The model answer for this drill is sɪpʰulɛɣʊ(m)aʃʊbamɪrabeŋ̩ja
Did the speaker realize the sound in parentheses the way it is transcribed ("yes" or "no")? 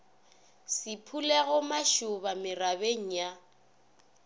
yes